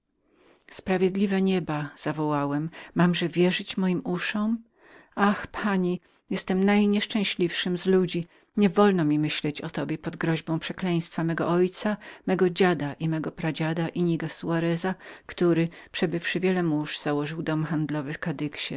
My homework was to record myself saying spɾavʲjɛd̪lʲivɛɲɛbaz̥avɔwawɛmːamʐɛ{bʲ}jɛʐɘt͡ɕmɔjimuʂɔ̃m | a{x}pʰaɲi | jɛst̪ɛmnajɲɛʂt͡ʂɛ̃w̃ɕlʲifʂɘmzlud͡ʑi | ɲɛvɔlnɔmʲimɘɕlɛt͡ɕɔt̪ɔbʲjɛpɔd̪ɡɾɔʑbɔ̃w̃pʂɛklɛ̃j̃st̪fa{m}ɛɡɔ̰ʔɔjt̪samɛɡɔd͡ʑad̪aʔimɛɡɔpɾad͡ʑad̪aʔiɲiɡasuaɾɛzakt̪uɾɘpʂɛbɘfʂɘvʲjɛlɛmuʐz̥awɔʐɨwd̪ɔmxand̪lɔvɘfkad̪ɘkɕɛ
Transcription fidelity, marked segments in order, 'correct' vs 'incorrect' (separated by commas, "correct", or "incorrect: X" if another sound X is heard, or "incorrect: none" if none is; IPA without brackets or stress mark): incorrect: vʲ, correct, correct